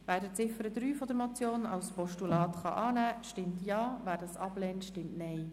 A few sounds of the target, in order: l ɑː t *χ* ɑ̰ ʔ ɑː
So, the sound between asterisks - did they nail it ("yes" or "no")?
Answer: yes